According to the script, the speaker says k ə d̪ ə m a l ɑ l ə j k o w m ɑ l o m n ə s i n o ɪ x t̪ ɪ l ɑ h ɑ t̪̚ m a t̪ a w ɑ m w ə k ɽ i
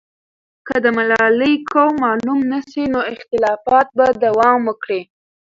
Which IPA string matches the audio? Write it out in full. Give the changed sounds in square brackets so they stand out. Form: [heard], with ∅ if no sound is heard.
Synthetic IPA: k ə d̪ ə m a l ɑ l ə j k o w m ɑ l [u] m n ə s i n o ɪ x t̪ ɪ l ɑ [f] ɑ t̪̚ [b] a [d̪] a w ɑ m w ə k ɽ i